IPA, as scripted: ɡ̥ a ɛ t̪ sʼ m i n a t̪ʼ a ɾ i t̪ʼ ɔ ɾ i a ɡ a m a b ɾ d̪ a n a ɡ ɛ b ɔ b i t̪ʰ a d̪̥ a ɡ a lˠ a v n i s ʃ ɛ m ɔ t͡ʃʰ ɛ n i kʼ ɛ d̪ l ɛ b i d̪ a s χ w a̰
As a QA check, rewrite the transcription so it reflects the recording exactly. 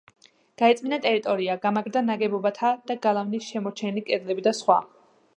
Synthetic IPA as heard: ɡ̥ a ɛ t̪ sʼ m i n a t̪ʼ ɛ ɾ i t̪ʼ ɔ ɾ i a ɡ a m a ɡ ɾ d̪ a n a ɡ ɛ b ɔ b a t̪ʰ a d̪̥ a ɡ a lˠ a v n i s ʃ ɛ m ɔ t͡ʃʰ ɛ n i kʼ ɛ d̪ l ɛ b i d̪ a s χ w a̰

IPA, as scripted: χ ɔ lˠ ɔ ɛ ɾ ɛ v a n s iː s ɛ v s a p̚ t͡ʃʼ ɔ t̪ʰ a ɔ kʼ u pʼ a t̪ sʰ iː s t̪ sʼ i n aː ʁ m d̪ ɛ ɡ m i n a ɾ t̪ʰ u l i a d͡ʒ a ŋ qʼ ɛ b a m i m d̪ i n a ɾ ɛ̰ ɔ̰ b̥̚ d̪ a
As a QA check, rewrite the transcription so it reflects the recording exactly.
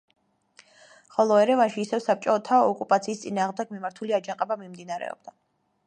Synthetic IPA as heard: χ ɔ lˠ ɔ ɛ ɾ ɛ v a n ʃ iː s ɛ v s a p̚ t͡ʃʼ ɔ t̪ʰ a ɔ kʼ u pʼ a t̪ sʰ iː s t̪ sʼ i n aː ʁ m d̪ ɛ ɡ m i m a ɾ t̪ʰ u l i a d͡ʒ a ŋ qʼ ɛ b a m i m d̪ i n a ɾ ɛ̰ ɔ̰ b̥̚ d̪ a

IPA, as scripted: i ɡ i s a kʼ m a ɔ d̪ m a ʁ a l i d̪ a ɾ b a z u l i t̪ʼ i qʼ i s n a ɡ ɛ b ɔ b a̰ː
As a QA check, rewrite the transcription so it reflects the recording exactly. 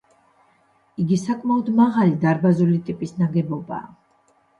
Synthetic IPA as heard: i ɡ i s a kʼ m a ɔ d̪ m a ʁ a l i d̪ a ɾ b a z u l i t̪ʼ i pʼ i s n a ɡ ɛ b ɔ b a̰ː

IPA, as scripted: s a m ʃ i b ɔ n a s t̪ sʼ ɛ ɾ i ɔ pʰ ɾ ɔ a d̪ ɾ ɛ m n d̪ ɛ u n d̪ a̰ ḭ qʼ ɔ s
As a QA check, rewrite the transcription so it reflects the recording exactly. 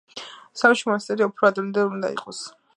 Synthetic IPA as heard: s a m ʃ i m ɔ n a s t̪ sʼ ɛ ɾ i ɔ pʰ ɾ ɔ a d̪ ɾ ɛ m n d̪ ɛ u n d̪ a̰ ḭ qʼ ɔ s

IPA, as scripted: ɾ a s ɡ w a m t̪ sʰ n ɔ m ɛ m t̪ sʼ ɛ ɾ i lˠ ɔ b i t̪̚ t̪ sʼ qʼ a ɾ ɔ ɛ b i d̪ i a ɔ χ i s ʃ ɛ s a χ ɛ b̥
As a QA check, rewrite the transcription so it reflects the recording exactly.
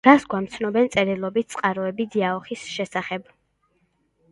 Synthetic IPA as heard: ɾ a s ɡ w a m t̪ sʰ n ɔ b ɛ n t̪ sʼ ɛ ɾ i lˠ ɔ b i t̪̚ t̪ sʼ qʼ a ɾ ɔ ɛ b i d̪ i a ɔ χ i s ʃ ɛ s a χ ɛ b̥

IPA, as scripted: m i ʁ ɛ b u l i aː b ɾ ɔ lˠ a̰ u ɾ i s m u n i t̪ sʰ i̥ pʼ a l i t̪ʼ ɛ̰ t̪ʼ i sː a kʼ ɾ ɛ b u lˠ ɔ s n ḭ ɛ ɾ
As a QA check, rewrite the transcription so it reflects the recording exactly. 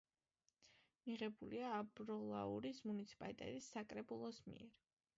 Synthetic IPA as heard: m i ʁ ɛ b u l i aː b ɾ ɔ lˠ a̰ u ɾ i s m u n i t̪ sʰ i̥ pʼ a l i t̪ʼ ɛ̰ t̪ʼ i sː a kʼ ɾ ɛ b u lˠ ɔ s m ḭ ɛ ɾ

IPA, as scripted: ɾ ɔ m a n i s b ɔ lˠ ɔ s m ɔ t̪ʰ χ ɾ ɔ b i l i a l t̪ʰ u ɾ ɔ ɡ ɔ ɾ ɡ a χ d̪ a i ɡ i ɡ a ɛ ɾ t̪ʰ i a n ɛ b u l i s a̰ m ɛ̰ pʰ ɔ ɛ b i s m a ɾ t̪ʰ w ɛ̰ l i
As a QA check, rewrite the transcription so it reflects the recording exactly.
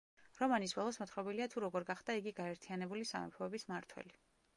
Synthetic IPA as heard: ɾ ɔ m a n i s b ɔ lˠ ɔ s m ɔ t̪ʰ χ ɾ ɔ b i l i a t̪ʰ u ɾ ɔ ɡ ɔ ɾ ɡ a χ d̪ a i ɡ i ɡ a ɛ ɾ t̪ʰ i a n ɛ b u l i s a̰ m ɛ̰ pʰ ɔ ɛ b i s m a ɾ t̪ʰ w ɛ̰ l i

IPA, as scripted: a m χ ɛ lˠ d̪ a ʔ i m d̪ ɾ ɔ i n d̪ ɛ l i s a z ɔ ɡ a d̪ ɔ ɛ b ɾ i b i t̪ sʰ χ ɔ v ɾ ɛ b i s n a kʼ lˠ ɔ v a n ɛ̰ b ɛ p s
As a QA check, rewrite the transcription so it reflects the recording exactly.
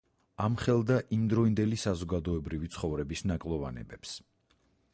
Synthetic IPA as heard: a m χ ɛ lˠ d̪ a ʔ i m d̪ ɾ ɔ i n d̪ ɛ l i s a z ɔ ɡ a d̪ ɔ ɛ b ɾ i v i t̪ sʰ χ ɔ v ɾ ɛ b i s n a kʼ lˠ ɔ v a n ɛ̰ b ɛ p s

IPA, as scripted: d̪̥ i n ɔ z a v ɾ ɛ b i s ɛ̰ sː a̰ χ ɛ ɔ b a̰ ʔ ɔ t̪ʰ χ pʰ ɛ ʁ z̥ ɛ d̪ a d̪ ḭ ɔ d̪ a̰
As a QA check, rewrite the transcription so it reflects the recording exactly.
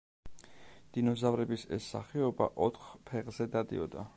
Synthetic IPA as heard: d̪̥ i n ɔ z a v ɾ ɛ b i s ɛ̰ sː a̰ χ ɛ ɔ b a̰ ʔ ɔ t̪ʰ χ pʰ ɛ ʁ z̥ ɛ d̪ a d̪ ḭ ɔ d̪ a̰

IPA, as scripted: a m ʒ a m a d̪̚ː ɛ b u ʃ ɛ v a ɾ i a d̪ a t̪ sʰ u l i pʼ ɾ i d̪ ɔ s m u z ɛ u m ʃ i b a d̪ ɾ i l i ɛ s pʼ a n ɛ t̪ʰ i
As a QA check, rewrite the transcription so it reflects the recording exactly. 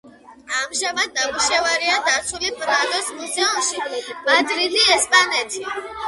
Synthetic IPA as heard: a m ʒ a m a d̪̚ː a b u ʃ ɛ v a ɾ i a d̪ a t̪ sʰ u l i pʼ ɾ a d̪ ɔ s m u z ɛ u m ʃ i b a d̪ ɾ i l i ɛ s pʼ a n ɛ t̪ʰ i

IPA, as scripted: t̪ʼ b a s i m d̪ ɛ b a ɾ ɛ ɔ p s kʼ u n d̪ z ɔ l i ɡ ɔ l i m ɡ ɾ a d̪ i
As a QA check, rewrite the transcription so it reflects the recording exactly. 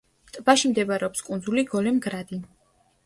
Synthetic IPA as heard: t̪ʼ b a ʃ i m d̪ ɛ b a ɾ ɛ ɔ p s kʼ u n d̪ z u l i ɡ ɔ l ɛ m ɡ ɾ a d̪ i

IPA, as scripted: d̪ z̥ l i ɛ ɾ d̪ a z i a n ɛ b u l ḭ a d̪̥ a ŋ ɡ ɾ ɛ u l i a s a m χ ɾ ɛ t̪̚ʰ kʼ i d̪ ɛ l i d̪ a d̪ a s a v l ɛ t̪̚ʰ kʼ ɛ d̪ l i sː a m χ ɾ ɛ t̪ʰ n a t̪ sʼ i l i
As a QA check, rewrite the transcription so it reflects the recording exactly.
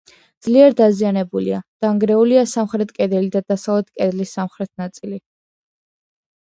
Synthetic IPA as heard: d̪ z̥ l i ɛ ɾ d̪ a z i a n ɛ b u l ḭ a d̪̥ a ŋ ɡ ɾ ɛ u l i a s a m χ ɾ ɛ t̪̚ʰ kʼ ɛ d̪ ɛ l i d̪ a d̪ a s a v l ɛ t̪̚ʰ kʼ ɛ d̪ l i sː a m χ ɾ ɛ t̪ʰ n a t̪ sʼ i l i

